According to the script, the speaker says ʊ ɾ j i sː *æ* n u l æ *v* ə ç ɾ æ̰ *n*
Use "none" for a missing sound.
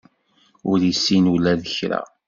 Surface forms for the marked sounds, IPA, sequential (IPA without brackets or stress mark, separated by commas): i, ð, none